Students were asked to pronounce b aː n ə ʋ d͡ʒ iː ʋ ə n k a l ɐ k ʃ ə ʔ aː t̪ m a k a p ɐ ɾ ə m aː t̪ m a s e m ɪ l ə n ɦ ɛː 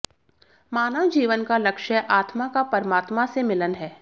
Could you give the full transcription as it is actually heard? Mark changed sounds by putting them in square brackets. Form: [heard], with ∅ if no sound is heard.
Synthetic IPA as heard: [m] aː n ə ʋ d͡ʒ iː ʋ ə n k a l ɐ k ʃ ə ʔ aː t̪ m a k a p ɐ ɾ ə m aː t̪ m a s e m ɪ l ə n ɦ ɛː